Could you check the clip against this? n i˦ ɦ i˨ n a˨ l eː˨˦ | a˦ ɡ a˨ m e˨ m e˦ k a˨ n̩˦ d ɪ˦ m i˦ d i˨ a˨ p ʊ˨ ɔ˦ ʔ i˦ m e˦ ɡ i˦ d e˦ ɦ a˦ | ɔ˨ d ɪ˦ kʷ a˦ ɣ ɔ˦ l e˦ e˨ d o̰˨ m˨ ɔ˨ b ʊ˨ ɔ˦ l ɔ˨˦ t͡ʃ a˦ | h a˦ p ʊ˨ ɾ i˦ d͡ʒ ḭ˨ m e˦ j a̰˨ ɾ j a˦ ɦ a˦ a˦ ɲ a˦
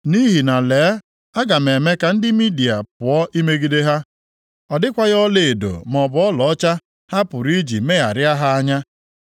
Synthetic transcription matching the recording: n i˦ ɦ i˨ n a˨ l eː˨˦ | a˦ ɡ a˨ m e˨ m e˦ k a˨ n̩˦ d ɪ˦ m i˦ d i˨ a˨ p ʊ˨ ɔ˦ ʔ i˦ m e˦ ɡ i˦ d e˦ ɦ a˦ | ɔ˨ d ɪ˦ kʷ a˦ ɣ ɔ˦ l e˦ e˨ d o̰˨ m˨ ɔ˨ b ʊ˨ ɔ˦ l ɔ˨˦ t͡ʃ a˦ | h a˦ p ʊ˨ ɾ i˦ d͡ʒ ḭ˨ m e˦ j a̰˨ ɾ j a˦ ɦ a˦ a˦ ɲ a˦